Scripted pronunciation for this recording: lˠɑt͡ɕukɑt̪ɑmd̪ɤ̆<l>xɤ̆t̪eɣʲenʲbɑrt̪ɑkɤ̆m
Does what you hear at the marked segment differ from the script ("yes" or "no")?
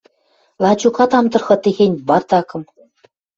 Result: yes